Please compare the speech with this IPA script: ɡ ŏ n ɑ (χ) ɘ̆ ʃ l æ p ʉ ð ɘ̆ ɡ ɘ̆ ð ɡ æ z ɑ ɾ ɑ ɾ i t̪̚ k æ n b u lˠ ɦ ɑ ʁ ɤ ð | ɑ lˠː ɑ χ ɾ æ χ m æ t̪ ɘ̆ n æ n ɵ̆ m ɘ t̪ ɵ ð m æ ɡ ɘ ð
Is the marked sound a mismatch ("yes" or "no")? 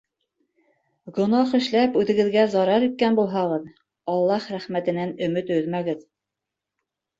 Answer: no